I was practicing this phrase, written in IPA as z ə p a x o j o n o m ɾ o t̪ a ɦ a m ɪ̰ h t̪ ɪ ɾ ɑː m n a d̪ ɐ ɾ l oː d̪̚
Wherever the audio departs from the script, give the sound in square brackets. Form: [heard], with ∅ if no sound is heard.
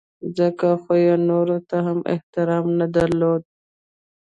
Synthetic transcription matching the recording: z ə [k] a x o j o n o [∅] ɾ o t̪ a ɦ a m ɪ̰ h t̪ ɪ ɾ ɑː m n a d̪ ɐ ɾ l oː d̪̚